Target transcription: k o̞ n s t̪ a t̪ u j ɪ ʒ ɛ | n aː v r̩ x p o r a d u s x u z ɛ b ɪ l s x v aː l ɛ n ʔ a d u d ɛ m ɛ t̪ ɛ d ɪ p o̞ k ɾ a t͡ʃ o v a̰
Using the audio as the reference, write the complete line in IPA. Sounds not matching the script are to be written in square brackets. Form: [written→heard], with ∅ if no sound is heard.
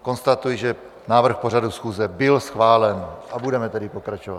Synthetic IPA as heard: k o̞ n s t̪ a t̪ u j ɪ ʒ ɛ | n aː v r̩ x p o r a d u s x [u→uː] z ɛ b ɪ l s x v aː l ɛ n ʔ a [d→b] u d ɛ m ɛ t̪ ɛ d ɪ p o̞ k ɾ a t͡ʃ o v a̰